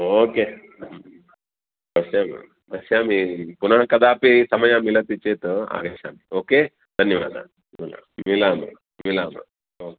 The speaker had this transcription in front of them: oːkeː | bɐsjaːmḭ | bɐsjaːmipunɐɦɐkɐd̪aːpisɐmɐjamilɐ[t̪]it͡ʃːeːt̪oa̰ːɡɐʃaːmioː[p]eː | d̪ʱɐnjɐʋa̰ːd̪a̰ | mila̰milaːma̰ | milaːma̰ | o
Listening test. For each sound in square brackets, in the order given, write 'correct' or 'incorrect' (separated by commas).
correct, incorrect